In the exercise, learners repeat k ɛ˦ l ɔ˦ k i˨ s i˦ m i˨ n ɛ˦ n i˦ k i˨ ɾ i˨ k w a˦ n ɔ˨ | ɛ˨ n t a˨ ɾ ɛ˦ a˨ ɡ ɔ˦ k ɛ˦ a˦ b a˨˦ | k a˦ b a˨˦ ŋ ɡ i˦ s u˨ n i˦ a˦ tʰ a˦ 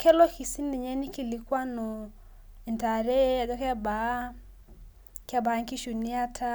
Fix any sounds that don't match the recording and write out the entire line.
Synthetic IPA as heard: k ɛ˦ l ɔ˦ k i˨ s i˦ n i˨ ɲ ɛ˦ n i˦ k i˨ l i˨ k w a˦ n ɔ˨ | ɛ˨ n t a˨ ɾ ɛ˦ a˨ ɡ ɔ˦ k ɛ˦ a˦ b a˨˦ | k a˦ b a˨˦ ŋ k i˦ ʃ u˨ n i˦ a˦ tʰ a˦